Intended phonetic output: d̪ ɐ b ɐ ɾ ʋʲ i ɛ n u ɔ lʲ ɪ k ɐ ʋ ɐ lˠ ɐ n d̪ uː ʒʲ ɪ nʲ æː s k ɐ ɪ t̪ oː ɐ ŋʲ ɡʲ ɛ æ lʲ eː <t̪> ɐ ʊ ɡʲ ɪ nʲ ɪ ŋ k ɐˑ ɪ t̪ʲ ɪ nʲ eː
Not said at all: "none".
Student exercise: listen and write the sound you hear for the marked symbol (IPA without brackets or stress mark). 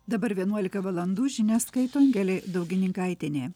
d̪